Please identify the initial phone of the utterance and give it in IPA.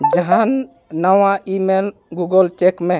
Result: d͡ʒ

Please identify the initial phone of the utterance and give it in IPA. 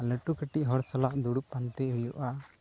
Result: l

